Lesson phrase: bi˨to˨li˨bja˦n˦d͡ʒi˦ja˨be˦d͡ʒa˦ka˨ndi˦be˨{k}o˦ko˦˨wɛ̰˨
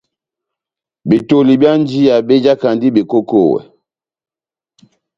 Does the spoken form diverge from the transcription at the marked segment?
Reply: no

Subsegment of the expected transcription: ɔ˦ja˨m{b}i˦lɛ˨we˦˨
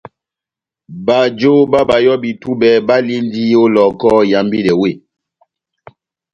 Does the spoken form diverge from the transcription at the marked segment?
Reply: no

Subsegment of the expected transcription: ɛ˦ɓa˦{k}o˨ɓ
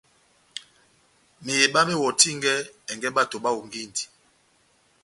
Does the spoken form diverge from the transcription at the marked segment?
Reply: yes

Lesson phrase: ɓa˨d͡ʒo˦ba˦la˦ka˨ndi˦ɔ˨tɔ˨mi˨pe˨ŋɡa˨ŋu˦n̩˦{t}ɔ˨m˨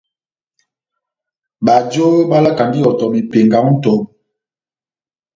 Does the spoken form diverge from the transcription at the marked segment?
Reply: no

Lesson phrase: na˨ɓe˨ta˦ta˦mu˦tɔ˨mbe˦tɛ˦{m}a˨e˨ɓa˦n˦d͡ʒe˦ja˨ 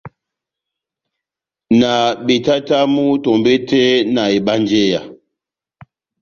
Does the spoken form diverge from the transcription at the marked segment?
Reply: yes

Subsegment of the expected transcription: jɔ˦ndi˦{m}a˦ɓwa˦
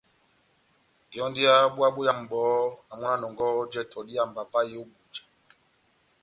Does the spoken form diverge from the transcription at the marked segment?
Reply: yes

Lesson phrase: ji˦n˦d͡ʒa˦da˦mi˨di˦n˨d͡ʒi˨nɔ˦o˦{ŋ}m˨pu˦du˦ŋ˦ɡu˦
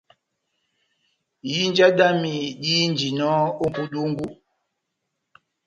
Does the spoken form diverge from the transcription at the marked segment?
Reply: yes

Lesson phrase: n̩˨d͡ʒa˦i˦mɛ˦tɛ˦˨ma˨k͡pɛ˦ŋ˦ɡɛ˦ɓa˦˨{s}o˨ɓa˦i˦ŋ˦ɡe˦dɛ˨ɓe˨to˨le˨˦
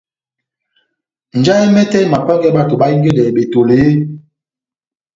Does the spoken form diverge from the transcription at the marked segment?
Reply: yes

